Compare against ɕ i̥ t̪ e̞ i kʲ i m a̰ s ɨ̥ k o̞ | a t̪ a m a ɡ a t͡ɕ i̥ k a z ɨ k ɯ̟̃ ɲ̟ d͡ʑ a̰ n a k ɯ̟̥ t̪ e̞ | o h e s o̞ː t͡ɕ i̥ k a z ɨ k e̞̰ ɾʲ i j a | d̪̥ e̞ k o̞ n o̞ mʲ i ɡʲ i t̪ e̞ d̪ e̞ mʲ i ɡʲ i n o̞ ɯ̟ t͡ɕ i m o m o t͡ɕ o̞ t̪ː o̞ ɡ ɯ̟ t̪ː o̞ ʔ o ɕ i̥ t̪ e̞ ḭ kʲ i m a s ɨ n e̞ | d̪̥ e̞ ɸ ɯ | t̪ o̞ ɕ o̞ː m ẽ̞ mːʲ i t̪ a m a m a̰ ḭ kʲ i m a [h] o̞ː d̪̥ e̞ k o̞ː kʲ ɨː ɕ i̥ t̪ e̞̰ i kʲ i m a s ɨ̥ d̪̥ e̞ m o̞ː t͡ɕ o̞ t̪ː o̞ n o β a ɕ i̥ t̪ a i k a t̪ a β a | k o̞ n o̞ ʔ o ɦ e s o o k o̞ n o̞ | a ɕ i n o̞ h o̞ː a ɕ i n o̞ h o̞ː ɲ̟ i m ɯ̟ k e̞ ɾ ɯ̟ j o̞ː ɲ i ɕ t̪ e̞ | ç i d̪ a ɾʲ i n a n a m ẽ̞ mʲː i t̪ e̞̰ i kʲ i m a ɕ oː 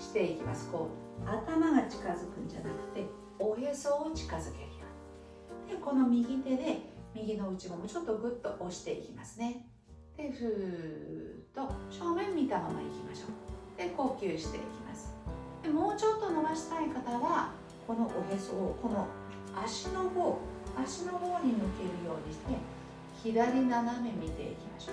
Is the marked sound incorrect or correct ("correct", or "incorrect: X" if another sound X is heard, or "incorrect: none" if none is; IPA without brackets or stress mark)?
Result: incorrect: ɕ